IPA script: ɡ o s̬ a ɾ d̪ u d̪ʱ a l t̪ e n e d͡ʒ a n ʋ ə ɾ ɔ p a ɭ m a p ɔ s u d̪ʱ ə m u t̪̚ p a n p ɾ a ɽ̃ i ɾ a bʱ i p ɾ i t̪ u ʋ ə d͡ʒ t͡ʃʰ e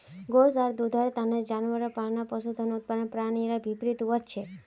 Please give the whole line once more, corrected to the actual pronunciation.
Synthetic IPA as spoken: ɡ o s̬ a ɾ d̪ u d̪ʱ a ɾ t̪ a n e d͡ʒ a n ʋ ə ɾ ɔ p a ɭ n a p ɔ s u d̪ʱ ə n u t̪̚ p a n p ɾ a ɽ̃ i ɾ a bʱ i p ɾ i t̪ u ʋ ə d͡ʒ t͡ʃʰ e